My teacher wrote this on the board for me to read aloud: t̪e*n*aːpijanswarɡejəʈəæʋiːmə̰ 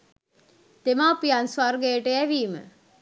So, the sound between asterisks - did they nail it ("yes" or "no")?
no